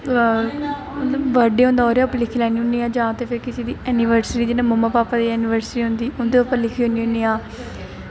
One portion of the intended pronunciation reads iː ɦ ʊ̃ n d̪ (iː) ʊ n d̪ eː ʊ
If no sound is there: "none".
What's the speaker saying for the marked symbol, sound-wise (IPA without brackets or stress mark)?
iː